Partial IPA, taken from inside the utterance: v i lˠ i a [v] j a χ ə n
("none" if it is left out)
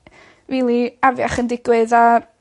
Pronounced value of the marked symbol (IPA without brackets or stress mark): v